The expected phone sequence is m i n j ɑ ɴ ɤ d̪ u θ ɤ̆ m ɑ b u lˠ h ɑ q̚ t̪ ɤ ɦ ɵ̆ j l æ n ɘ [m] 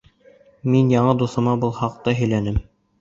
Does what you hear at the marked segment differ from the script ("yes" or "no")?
no